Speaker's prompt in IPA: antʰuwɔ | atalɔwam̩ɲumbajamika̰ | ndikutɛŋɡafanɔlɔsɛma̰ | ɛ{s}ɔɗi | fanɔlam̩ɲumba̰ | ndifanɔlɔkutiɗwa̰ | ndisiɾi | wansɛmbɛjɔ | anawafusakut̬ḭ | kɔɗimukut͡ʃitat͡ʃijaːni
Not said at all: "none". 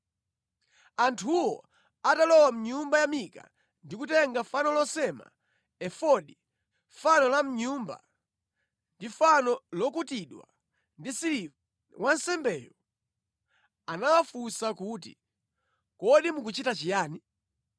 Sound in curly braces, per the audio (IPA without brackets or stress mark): f